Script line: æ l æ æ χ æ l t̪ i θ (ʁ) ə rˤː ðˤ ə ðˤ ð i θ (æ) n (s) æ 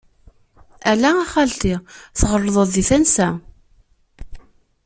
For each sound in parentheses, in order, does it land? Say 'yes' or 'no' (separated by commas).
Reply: yes, yes, yes